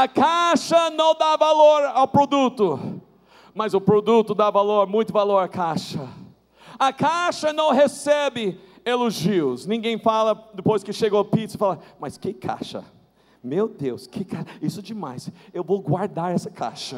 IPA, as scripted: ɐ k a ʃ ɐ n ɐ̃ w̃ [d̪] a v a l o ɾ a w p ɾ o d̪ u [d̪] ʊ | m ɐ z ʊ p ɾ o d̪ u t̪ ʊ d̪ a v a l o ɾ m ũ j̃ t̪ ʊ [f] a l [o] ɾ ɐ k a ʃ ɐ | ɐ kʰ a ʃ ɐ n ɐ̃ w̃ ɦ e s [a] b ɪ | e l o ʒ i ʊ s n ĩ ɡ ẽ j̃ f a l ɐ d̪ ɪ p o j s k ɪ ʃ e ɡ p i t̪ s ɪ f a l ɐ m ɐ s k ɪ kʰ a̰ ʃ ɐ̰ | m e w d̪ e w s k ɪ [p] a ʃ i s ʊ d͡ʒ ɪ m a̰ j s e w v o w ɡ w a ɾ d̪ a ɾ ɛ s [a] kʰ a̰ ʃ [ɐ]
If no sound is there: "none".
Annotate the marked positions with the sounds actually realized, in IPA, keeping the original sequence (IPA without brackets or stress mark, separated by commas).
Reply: d̪, t̪, v, o, ɛ, k, ɐ, ɐ